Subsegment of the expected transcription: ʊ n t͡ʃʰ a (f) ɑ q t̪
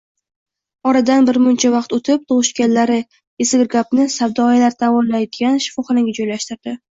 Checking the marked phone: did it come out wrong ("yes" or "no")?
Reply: yes